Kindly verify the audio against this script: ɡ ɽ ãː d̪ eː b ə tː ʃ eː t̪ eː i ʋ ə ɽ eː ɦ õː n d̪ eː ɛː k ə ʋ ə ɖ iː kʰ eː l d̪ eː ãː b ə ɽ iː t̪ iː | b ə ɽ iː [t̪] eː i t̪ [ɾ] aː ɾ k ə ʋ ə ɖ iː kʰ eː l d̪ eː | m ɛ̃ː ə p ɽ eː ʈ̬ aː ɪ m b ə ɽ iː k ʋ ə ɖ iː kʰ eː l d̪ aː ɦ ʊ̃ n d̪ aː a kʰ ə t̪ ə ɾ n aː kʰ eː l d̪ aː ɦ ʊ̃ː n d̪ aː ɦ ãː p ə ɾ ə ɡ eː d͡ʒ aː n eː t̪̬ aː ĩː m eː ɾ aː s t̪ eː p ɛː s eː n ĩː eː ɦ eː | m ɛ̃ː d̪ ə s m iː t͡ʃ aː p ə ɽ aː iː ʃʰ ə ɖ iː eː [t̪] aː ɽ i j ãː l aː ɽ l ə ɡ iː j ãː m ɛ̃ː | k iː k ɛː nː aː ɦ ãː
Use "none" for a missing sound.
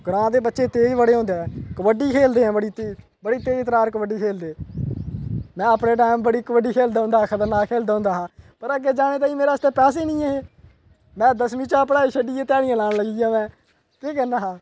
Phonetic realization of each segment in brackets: t̪, ɾ, t̪

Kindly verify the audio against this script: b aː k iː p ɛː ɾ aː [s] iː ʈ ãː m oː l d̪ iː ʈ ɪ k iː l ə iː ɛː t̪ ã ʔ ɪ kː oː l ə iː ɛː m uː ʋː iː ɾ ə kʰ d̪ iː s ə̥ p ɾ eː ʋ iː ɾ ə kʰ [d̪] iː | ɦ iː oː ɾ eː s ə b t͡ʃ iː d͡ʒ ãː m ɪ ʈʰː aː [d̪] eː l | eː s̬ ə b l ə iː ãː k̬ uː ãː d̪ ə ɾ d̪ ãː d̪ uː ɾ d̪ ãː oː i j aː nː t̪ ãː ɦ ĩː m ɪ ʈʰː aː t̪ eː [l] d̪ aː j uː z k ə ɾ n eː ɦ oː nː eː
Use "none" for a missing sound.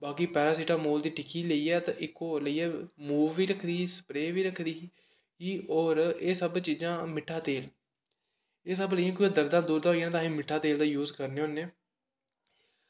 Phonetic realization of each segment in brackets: s, d̪, t̪, l

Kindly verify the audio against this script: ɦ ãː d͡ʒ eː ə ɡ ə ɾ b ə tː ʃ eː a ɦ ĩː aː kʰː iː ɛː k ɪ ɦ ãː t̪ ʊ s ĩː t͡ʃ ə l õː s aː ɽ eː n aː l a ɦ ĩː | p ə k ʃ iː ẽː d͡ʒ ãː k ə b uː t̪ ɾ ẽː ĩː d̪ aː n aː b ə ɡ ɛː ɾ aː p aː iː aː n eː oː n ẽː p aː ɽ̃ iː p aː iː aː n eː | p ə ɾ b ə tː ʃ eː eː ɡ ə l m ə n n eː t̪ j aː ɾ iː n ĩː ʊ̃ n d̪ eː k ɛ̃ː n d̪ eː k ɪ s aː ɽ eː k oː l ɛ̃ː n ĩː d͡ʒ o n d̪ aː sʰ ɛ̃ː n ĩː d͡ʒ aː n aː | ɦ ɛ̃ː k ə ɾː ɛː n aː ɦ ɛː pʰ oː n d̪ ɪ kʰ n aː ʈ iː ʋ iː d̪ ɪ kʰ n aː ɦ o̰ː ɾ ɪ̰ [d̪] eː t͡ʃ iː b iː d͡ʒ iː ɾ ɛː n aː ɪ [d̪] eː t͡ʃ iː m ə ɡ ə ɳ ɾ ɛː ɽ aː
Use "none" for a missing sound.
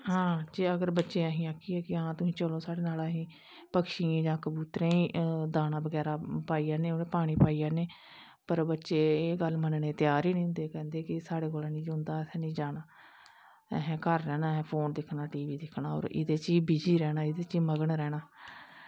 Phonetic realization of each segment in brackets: d̪, d̪

